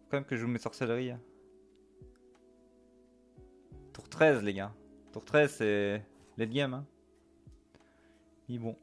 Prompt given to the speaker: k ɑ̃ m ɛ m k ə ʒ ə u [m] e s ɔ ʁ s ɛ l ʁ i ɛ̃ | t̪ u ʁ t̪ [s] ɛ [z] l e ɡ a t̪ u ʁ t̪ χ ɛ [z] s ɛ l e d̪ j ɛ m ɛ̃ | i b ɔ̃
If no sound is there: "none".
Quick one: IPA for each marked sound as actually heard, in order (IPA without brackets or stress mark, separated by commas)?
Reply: m, χ, z, z